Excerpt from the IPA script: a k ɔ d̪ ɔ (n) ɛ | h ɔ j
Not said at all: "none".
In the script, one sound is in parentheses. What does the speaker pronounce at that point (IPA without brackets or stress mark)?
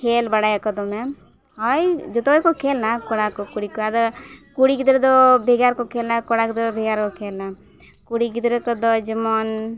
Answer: m